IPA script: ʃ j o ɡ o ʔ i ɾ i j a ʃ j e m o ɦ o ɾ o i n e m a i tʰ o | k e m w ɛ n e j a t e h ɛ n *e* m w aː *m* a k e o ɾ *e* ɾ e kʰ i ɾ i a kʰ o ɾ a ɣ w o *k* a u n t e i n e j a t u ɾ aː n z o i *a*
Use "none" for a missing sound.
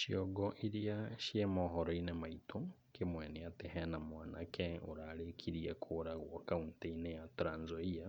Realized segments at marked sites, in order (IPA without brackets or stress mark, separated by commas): a, n, a, k, a